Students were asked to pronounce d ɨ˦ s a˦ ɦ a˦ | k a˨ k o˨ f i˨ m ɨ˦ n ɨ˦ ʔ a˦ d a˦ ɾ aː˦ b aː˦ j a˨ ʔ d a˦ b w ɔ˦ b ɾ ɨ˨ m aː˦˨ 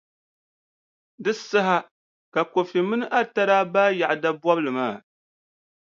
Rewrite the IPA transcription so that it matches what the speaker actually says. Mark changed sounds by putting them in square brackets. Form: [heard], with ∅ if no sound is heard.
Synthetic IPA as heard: d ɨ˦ s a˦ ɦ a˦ | k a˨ k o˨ f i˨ m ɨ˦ n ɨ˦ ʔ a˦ [t] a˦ ɾ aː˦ b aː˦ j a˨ ʔ d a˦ b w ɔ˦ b [l] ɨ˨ m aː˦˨